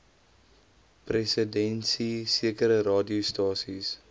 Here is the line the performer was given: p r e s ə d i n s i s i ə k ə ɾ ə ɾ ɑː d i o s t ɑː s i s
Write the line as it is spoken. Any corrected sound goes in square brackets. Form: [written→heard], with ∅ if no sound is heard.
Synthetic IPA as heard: p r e s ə d [i→ɛ] n s i s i ə k ə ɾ ə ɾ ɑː d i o s t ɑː s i s